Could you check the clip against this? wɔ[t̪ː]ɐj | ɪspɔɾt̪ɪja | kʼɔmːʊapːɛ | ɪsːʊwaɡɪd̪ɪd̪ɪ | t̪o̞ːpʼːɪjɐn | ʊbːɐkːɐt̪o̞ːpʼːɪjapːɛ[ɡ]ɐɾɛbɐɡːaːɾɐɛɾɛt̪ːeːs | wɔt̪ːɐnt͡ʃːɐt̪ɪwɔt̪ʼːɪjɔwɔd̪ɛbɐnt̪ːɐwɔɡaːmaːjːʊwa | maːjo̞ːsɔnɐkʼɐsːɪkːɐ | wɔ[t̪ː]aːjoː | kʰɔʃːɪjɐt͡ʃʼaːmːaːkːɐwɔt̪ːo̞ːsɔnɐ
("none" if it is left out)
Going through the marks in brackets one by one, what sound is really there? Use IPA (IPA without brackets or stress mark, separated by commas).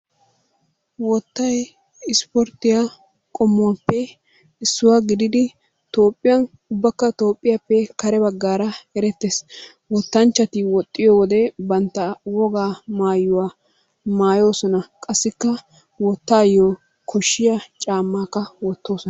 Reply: t̪ː, k, t̪ː